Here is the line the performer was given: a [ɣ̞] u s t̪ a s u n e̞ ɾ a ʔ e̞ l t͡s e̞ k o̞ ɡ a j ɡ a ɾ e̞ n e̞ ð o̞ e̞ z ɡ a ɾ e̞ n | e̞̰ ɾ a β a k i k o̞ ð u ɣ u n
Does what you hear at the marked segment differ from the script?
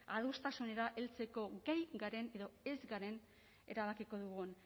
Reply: yes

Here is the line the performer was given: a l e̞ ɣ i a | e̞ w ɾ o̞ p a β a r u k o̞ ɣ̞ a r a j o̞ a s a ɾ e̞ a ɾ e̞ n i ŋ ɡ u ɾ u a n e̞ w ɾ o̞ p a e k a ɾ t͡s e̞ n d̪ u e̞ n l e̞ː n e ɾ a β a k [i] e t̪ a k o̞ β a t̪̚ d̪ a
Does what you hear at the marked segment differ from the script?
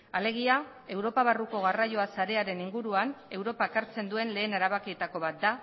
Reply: no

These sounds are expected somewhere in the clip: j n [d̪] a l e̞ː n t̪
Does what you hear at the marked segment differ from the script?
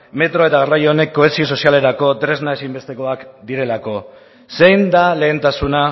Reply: no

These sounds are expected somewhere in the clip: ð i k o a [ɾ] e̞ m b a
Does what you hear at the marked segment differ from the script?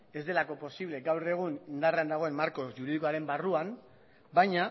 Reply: no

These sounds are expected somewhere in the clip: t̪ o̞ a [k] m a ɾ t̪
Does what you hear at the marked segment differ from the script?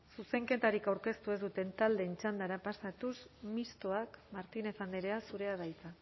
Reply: no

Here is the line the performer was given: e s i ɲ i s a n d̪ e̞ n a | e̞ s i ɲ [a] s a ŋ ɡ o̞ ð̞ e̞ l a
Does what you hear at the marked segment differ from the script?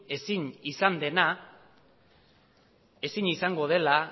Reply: yes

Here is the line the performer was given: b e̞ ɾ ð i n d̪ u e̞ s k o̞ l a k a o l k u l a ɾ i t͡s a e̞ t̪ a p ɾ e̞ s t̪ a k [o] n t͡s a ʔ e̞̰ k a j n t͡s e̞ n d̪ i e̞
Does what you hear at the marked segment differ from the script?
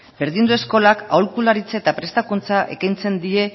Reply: yes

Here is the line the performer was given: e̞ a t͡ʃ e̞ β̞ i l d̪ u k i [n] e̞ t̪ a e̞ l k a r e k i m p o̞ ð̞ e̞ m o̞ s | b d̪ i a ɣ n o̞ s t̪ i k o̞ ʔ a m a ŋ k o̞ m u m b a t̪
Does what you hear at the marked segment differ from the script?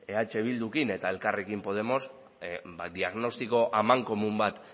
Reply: no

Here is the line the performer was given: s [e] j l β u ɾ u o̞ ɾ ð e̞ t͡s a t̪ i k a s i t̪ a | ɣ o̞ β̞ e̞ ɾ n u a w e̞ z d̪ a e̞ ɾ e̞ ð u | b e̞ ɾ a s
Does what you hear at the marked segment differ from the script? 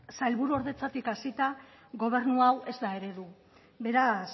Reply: yes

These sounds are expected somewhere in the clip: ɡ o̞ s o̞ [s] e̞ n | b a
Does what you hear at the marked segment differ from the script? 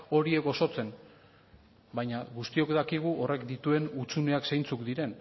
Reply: yes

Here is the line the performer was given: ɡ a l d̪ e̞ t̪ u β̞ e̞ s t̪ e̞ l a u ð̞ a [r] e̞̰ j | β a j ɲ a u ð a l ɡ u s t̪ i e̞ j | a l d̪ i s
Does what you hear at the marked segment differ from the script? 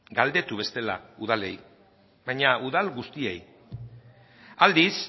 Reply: yes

